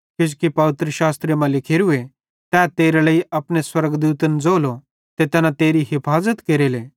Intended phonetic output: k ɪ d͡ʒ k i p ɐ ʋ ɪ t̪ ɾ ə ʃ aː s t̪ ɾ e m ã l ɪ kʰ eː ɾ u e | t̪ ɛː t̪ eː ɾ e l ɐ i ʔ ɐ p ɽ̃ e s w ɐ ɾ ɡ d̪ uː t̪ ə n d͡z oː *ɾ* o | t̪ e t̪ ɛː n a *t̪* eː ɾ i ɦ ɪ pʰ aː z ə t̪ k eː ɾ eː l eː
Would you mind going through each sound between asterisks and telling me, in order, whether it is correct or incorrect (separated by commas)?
incorrect, correct